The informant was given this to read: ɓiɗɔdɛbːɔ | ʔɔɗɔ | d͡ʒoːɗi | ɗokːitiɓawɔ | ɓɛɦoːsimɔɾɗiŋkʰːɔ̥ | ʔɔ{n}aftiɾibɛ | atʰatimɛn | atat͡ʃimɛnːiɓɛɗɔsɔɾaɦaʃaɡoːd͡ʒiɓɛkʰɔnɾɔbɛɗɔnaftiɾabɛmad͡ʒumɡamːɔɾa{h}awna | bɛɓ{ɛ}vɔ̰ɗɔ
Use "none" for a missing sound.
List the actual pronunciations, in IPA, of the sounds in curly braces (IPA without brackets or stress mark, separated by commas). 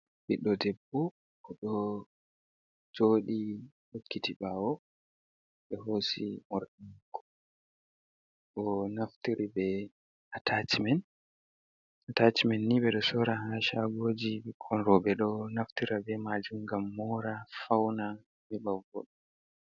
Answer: n, f, a